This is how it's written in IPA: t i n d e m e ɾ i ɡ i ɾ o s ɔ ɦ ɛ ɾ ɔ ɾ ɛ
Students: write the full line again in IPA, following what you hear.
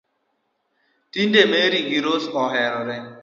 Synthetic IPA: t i n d e m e ɾ i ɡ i ɾ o s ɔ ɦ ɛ ɾ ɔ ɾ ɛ